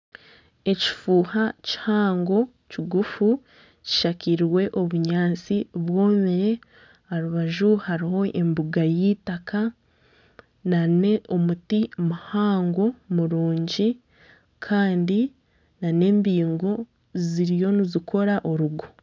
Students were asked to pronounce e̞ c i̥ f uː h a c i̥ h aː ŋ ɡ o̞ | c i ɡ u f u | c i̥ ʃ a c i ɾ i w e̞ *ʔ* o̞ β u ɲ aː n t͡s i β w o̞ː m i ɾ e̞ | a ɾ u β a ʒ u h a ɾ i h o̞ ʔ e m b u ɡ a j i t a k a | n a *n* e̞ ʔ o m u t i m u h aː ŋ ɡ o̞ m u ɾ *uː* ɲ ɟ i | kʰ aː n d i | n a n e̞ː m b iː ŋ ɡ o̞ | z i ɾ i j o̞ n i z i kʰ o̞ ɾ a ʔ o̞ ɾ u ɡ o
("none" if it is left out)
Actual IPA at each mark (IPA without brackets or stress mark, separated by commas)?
ʔ, n, uː